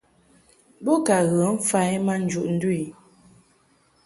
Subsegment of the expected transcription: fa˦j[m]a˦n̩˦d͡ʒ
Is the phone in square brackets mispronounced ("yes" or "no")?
no